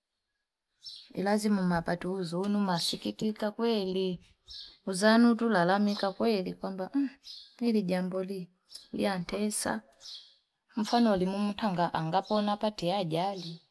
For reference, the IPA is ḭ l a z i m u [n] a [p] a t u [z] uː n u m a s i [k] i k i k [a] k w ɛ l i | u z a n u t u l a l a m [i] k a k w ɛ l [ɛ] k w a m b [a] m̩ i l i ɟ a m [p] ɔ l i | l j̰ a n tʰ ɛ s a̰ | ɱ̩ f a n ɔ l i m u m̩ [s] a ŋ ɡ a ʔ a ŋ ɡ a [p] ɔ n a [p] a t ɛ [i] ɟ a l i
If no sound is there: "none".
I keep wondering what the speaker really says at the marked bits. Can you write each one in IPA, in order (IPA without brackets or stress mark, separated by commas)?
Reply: m, p, z, k, a, i, i, a, b, t, p, p, a